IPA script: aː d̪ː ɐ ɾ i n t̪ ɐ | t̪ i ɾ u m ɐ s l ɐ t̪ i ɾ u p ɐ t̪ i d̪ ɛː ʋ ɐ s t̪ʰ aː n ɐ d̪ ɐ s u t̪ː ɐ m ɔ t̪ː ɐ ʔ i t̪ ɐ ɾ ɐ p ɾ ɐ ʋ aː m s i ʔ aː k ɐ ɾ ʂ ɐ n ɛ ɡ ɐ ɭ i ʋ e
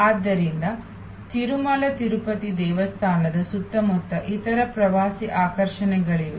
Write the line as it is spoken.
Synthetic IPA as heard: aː d̪ː ɐ ɾ i n d̪ ɐ | t̪ i ɾ u m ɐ l ɐ t̪ i ɾ u p ɐ t̪ i d̪ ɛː ʋ ɐ s t̪ʰ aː n ɐ d̪ ɐ s u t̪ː ɐ m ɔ t̪ː ɐ ʔ i t̪ ɐ ɾ ɐ p ɾ ɐ ʋ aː s i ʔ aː k ɐ ɾ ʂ ɐ n ɛ ɡ ɐ ɭ i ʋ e

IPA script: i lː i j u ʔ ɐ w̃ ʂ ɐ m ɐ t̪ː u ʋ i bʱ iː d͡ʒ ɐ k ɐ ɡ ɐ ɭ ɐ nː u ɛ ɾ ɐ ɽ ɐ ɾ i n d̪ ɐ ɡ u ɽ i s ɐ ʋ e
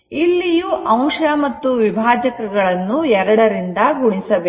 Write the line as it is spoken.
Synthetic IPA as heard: i lː i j u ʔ ɐ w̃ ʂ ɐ m ɐ t̪ː u ʋ i bʱ aː d͡ʒ ɐ k ɐ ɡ ɐ ɭ ɐ nː u ɛ ɾ ɐ ɽ ɐ ɾ i n d̪ ɐ ɡ u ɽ i s ɐ ʋ e

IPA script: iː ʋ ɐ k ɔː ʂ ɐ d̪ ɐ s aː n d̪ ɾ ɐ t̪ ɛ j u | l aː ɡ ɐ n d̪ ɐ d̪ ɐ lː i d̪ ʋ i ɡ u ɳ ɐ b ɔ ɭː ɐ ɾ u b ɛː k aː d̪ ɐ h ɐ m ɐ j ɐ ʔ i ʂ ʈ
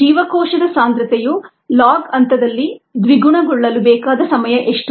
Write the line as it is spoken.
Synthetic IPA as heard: iː ʋ ɐ k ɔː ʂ ɐ d̪ ɐ s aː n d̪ ɾ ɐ t̪ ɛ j u | l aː ɡ ɐ n t̪ ɐ d̪ ɐ lː i d̪ ʋ i ɡ u ɳ ɐ ɡ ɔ ɭː ɐ l u b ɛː k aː d̪ ɐ s ɐ m ɐ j ɐ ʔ e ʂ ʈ

